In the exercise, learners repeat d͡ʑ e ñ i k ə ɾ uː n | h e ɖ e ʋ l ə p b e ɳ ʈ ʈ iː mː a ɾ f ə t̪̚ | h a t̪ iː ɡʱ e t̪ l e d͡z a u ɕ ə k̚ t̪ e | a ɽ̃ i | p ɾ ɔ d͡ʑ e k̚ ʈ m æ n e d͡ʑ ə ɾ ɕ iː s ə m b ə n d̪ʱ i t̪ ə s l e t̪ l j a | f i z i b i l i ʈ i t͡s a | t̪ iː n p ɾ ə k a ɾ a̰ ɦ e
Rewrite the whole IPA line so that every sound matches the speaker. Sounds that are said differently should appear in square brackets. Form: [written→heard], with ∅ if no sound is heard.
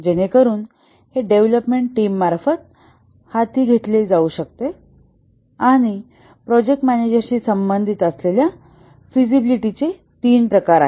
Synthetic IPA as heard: d͡ʑ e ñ [i→e] k ə ɾ uː n | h e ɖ e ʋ l ə p [b→m] e ɳ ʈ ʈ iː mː a ɾ f ə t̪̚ | h a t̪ iː ɡʱ e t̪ l e d͡z a u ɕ ə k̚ t̪ e | a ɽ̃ i | p ɾ ɔ d͡ʑ e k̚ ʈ m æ n e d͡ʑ ə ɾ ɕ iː s ə m b ə n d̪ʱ i t̪ ə s l e [t̪→∅] l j a | f i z i b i l i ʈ i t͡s [a→e] | t̪ iː n p ɾ ə k a ɾ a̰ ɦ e